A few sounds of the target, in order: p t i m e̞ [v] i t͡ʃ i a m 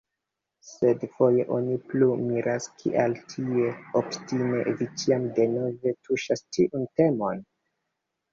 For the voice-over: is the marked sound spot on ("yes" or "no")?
yes